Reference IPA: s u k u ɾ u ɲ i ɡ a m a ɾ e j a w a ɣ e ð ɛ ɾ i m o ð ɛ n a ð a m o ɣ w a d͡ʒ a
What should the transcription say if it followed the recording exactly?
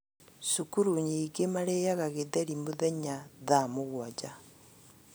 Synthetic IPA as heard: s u k u ɾ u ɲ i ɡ e m a ɾ e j a ɣ a ɣ e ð ɛ ɾ i m o ð ɛ ɲ a ð a m o ɣ w a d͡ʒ a